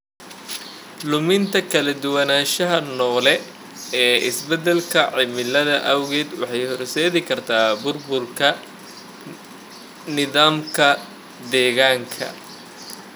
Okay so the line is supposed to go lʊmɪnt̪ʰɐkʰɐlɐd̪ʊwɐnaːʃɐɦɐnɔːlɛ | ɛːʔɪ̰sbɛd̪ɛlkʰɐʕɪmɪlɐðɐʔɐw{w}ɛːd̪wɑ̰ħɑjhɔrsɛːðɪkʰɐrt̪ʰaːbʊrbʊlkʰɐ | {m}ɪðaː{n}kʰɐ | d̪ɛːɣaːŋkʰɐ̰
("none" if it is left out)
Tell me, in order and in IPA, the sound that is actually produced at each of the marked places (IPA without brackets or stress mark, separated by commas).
ɣ, n, m